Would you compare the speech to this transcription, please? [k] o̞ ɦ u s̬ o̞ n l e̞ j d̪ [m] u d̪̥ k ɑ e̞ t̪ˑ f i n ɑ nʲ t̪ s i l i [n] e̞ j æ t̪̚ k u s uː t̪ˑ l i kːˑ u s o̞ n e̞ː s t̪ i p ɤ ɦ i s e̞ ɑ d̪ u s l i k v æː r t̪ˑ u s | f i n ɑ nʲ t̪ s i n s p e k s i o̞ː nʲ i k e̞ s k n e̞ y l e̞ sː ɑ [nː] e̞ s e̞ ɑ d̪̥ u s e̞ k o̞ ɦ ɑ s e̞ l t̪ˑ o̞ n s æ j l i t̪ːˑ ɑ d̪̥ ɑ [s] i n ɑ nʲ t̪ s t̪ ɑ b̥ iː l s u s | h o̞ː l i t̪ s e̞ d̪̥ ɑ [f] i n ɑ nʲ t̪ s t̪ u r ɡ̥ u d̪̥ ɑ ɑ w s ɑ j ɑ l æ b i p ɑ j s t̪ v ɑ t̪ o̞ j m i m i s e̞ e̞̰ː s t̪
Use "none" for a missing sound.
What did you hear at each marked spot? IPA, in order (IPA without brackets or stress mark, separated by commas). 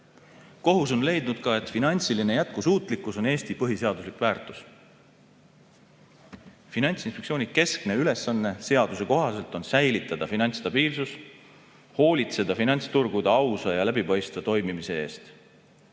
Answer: k, n, n, nː, f, f